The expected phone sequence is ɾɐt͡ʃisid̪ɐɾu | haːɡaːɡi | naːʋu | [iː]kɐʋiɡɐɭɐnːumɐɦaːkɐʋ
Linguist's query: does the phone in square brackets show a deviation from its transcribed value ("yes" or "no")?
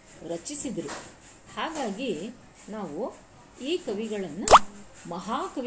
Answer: no